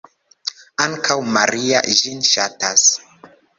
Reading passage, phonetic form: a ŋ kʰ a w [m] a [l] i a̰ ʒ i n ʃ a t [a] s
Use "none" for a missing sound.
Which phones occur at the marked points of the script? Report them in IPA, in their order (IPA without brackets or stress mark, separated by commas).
m, ɾ, a